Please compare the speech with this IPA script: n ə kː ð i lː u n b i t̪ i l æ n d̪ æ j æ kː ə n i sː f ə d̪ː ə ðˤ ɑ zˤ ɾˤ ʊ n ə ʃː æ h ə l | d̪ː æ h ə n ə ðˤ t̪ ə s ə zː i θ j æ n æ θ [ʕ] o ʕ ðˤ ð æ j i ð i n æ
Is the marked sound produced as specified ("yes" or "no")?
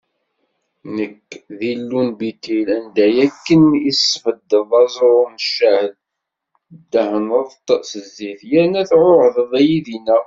yes